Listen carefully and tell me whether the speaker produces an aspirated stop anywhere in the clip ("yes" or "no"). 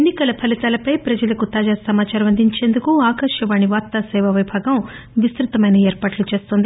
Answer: yes